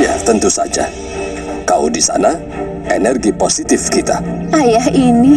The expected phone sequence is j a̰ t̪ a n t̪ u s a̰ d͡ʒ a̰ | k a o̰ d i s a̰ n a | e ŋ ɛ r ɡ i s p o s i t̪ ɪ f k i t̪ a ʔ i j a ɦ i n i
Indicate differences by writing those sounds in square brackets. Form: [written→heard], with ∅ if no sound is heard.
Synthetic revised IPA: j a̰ t̪ [a→ə] n t̪ u s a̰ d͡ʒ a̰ | k a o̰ d i s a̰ n a | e [ŋ→n] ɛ r ɡ i [s→∅] p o s i t̪ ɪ f k i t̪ a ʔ [i→a] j a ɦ i n i